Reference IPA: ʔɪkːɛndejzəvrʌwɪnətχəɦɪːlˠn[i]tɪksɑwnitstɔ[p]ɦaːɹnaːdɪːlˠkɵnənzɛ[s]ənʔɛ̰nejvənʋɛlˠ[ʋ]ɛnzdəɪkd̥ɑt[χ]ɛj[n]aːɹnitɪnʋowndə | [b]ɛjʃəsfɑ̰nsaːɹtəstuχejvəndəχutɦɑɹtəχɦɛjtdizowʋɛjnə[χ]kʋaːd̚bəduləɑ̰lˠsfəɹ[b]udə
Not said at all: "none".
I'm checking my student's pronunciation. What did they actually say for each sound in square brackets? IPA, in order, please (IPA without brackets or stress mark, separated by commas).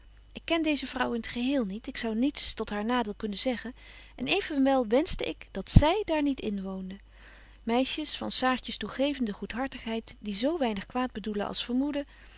i, t, χ, ʋ, s, d, m, χ, m